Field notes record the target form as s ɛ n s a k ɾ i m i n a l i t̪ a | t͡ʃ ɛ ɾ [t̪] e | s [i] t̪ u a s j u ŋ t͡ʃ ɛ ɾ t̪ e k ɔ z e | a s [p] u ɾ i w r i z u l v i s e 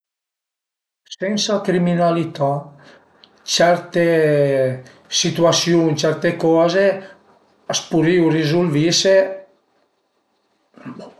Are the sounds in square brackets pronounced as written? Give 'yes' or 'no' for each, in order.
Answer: yes, yes, yes

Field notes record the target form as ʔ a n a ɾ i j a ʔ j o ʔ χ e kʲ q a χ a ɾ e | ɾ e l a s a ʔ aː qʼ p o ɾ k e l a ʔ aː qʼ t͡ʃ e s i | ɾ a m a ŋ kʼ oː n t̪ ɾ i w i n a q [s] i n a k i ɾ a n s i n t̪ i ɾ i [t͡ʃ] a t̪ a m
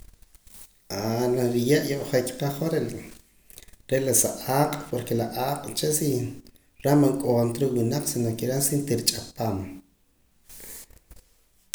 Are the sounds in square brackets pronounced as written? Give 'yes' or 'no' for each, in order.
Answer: yes, no

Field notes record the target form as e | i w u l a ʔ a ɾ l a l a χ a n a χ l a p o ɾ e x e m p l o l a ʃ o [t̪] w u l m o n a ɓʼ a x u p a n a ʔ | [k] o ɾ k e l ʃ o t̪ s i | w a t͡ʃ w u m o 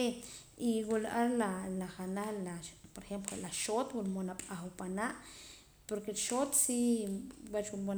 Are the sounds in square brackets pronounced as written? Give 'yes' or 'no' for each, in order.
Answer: yes, no

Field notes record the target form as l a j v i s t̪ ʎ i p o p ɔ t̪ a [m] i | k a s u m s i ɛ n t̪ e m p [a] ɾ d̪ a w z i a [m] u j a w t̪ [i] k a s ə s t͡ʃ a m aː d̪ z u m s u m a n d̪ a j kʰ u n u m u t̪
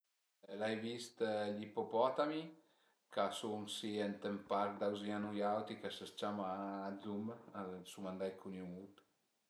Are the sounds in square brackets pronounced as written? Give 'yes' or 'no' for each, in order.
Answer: yes, yes, no, yes

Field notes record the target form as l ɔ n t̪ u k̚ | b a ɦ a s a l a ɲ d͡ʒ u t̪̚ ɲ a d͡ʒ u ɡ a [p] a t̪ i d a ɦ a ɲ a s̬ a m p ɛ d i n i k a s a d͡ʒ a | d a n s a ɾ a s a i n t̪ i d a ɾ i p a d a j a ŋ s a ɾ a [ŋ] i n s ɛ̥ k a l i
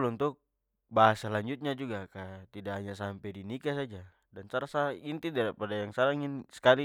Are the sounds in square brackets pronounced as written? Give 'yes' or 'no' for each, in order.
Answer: no, yes

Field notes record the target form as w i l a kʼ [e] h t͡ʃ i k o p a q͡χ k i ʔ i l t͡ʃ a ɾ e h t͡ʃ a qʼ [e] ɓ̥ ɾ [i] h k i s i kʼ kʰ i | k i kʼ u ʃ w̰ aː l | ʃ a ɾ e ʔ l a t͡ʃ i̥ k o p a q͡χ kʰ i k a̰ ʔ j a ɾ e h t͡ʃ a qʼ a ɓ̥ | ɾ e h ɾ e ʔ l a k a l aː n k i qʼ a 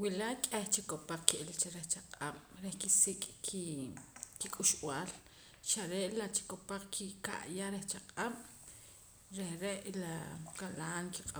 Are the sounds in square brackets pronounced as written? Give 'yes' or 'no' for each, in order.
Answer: yes, no, no

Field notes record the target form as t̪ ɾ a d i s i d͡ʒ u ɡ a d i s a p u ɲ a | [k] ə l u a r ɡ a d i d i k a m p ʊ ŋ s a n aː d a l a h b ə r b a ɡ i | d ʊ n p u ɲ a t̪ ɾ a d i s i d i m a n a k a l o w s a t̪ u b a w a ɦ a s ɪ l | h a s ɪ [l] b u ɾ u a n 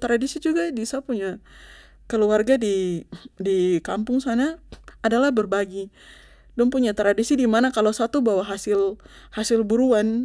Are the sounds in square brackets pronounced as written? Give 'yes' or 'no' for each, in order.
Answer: yes, yes

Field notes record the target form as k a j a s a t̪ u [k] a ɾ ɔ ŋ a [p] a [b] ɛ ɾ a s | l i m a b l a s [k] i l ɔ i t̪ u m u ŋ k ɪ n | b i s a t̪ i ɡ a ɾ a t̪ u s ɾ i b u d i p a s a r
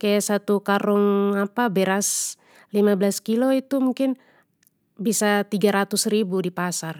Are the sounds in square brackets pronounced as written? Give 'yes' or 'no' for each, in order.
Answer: yes, yes, yes, yes

